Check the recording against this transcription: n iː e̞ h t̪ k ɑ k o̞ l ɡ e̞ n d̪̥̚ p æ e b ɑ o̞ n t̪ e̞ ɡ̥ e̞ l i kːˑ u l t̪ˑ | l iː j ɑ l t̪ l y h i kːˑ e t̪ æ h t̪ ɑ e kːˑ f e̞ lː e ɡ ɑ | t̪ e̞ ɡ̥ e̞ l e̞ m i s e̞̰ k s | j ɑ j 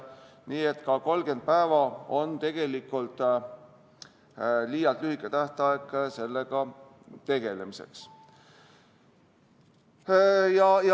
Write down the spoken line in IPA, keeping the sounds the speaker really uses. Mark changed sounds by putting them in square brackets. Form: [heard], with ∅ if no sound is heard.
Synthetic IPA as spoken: n iː e̞ [∅] t̪ k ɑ k o̞ l ɡ e̞ n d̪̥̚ p æ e [v] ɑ o̞ n t̪ e̞ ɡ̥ e̞ l i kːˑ u l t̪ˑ | l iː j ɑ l t̪ l y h i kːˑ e t̪ æ h t̪ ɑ e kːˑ [s] e̞ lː e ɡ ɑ | t̪ e̞ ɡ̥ e̞ l e̞ m i s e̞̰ k s | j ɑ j